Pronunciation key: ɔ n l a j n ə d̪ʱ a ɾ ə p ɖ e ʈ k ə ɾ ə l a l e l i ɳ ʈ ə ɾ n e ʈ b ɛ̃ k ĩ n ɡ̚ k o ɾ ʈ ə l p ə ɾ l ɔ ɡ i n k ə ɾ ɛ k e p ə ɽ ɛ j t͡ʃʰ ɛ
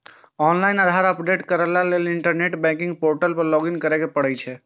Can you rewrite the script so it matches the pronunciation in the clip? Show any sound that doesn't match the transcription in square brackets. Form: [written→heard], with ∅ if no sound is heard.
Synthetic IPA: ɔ n l a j n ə d̪ʱ a ɾ ə p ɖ e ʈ k ə ɾ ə l a l e l i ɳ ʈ ə ɾ n e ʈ b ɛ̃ k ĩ [n→ŋ] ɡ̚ [k→p] o ɾ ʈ ə l p ə ɾ l ɔ ɡ i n k ə ɾ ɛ k e p ə ɽ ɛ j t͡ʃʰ ɛ